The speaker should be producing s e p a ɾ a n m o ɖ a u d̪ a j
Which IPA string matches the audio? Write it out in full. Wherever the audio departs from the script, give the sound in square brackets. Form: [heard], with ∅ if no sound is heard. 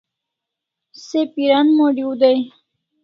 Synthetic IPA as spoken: s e p [i] ɾ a n m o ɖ [i] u d̪ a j